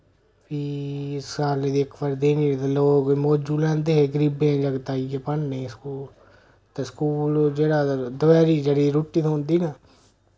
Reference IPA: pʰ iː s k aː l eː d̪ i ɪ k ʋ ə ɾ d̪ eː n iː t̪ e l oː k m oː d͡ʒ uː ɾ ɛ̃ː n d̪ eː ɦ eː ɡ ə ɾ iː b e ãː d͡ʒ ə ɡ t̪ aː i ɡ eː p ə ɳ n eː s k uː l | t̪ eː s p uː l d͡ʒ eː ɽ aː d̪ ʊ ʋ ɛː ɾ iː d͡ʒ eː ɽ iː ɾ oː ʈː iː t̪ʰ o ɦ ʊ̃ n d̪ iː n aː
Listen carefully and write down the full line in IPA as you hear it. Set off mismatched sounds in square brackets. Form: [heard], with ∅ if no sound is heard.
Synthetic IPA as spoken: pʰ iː s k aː l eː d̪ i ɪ k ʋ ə ɾ d̪ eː n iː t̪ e l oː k m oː d͡ʒ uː [l] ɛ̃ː n d̪ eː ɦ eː ɡ ə ɾ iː b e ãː d͡ʒ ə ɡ t̪ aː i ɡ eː p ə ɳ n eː s k uː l | t̪ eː s [k] uː l d͡ʒ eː ɽ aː d̪ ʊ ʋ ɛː ɾ iː d͡ʒ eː ɽ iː ɾ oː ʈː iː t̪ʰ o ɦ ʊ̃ n d̪ iː n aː